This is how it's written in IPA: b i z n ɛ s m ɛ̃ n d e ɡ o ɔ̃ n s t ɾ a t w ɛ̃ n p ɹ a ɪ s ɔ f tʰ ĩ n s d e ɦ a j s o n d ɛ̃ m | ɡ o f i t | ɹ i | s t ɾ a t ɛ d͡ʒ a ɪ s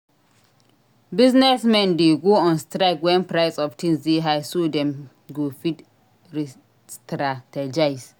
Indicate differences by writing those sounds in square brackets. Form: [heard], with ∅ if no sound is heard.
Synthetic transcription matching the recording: b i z n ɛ s m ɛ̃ n d e ɡ o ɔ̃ n s t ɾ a [k] w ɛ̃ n p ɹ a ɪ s ɔ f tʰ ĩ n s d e ɦ a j s o [∅] d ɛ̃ m | ɡ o f i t | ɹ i | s t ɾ a t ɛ d͡ʒ a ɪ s